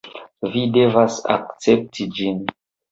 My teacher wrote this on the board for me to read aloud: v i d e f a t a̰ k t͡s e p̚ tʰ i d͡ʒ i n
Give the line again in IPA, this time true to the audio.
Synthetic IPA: v i d e v a s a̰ k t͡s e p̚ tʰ i d͡ʒ i n